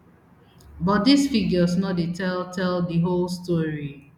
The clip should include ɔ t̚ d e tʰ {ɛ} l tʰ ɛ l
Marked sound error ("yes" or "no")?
no